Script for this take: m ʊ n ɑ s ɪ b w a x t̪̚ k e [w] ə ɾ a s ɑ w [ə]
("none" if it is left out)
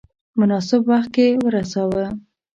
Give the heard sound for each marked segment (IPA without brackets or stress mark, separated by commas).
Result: w, ə